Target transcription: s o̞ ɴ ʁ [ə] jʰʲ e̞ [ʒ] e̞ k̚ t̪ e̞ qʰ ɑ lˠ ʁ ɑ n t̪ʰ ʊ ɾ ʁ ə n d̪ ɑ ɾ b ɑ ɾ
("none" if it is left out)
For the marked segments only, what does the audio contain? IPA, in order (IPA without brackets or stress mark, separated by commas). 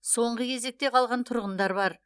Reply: ə, z